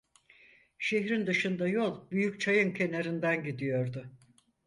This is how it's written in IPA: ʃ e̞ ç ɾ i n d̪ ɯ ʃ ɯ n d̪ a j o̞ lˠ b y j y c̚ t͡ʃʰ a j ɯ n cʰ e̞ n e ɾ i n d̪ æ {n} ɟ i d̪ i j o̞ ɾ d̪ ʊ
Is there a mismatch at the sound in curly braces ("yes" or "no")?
no